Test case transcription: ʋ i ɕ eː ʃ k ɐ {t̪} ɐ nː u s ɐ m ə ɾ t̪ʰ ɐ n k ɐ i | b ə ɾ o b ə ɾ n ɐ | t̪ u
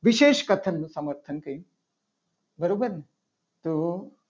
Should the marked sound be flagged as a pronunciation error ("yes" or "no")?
yes